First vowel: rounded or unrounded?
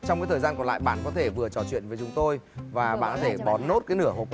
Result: rounded